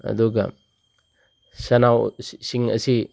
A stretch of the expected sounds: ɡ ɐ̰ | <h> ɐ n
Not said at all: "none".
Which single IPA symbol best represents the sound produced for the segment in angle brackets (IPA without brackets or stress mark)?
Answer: s